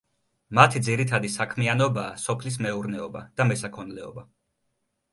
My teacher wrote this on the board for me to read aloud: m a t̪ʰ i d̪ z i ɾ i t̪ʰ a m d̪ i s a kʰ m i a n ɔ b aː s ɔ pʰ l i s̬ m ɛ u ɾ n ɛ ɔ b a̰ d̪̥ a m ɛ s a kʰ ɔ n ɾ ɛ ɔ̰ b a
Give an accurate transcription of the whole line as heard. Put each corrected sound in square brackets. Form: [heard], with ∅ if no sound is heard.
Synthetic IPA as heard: m a t̪ʰ i d̪ z i ɾ i t̪ʰ a [∅] d̪ i s a kʰ m i a n ɔ b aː s ɔ pʰ l i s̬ m ɛ u ɾ n ɛ ɔ b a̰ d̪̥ a m ɛ s a kʰ ɔ n [l] ɛ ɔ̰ b a